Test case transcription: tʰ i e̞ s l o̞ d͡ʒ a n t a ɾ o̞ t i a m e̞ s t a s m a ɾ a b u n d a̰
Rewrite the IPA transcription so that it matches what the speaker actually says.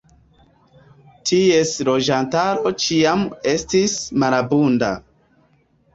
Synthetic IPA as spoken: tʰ i e̞ s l o̞ d͡ʒ a n t a ɾ o̞ t͡ʃ i a m e̞ s t i s m a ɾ a b u n d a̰

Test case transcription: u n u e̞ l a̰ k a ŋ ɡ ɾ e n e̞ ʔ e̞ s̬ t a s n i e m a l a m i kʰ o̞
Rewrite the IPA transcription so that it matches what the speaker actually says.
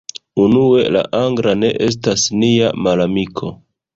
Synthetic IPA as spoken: u n u e̞ l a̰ ʔ a ŋ ɡ ɾ a n e̞ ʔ e̞ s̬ t a s n i a m a l a m i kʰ o̞

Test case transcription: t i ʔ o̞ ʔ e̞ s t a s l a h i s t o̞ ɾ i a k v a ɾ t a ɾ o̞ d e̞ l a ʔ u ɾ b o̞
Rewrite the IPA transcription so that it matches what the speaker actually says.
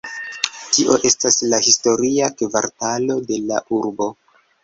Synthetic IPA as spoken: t i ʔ o̞ ʔ e̞ s t a s l a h i s t o̞ ɾ i a k v a ɾ t a l o̞ d e̞ l a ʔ u ɾ b o̞

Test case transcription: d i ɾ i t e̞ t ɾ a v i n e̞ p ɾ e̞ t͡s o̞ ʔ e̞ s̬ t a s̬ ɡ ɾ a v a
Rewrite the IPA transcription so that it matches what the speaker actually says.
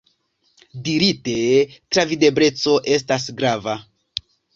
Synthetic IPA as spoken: d i ɾ i t e̞ t ɾ a v i d e̞ b ɾ e̞ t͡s o̞ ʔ e̞ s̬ t a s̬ ɡ ɾ a v a

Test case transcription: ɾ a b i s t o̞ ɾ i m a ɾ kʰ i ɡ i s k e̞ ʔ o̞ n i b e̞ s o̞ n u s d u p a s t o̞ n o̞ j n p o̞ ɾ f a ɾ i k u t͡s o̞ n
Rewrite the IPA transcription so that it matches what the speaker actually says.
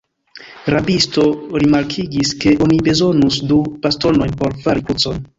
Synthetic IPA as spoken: ɾ a b i s t o̞ ɾ i m a ɾ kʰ i ɡ i s k e̞ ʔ o̞ n i b e̞ z o̞ n u s d u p a s t o̞ n o̞ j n p o̞ ɾ f a ɾ i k u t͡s o̞ n

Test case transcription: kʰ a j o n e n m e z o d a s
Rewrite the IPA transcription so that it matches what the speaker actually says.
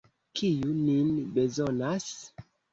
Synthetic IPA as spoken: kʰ i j u n i n b e z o n a s

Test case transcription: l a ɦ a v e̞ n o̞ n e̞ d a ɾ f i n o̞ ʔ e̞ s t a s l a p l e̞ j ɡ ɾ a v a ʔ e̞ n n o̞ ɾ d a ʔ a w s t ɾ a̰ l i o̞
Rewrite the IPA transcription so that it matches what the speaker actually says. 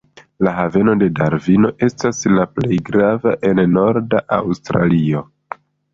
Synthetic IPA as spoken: l a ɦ a v e̞ n o̞ d e̞ d a ɾ v i n o̞ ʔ e̞ s t a s l a p l e̞ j ɡ ɾ a v a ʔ e̞ n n o̞ ɾ d a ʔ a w s t ɾ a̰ l i o̞

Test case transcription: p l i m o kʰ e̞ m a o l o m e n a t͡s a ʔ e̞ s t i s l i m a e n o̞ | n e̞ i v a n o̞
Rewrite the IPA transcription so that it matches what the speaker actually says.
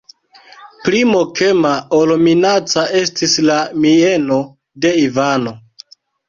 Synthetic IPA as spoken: p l i m o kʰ e̞ m a o l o m i n a t͡s a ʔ e̞ s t i s l a m i e n o̞ | d e̞ i v a n o̞

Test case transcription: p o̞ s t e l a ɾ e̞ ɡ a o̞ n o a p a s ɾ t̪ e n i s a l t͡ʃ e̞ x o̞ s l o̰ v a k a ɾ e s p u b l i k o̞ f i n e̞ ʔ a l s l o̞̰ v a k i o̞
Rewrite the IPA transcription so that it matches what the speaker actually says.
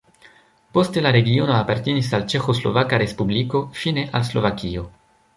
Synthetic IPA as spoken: p o̞ s t e l a ɾ e̞ ɡ i o̞ n o a p a ɾ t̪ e n i s a l t͡ʃ e̞ x o̞ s l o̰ v a k a ɾ e s p u b l i k o̞ f i n e̞ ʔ a l s l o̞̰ v a k i o̞

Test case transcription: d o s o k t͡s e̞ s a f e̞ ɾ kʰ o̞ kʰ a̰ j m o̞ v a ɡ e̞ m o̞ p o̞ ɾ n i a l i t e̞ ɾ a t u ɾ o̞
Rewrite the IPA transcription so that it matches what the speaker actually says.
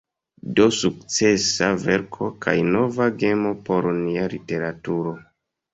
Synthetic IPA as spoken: d o s u k t͡s e̞ s a v e̞ ɾ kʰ o̞ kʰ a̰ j n o̞ v a ɡ e̞ m o̞ p o̞ ɾ n i a l i t e̞ ɾ a t u ɾ o̞

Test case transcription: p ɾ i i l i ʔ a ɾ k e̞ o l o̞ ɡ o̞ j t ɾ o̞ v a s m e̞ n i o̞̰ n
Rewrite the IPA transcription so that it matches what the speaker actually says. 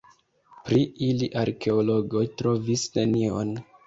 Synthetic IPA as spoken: p ɾ i i l i ʔ a ɾ k e̞ o l o̞ ɡ o̞ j t ɾ o̞ v i s n e̞ n i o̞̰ n

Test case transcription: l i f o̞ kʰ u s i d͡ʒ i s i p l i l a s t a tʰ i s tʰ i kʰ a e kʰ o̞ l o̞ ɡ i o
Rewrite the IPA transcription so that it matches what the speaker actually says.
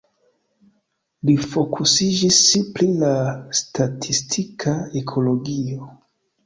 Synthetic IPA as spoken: l i f o̞ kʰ u s i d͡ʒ i s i p l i l a s t a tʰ i s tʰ i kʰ a e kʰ o̞ l o̞ ɡ i o

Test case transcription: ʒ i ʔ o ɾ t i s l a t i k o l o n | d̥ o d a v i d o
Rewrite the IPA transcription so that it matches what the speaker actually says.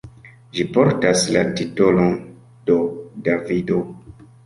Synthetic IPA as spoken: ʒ i p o ɾ t a s l a t i t o l o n | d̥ o d a v i d o

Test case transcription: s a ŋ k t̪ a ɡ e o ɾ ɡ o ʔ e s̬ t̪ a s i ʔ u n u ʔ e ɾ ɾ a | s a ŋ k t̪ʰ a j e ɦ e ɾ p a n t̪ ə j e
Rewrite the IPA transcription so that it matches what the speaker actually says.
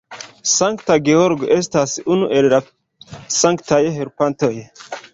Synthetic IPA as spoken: s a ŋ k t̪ a ɡ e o ɾ ɡ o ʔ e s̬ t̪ a s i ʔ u n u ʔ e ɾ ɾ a | s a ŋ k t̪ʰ a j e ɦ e ɾ p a n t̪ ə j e

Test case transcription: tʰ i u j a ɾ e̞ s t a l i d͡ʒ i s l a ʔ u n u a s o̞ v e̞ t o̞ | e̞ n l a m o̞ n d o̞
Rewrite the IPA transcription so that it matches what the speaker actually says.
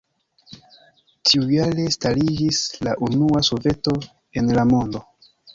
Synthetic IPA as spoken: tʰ i u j a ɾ e̞ s t a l i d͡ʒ i s l a ʔ u n u a s o̞ v e̞ t o̞ | e̞ n l a m o̞ n d o̞

